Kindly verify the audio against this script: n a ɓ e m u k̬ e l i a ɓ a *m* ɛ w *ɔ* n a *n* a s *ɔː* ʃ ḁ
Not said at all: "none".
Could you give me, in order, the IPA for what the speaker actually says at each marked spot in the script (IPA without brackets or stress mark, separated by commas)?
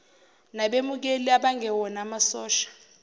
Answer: ŋ, ɔ, m, ɔː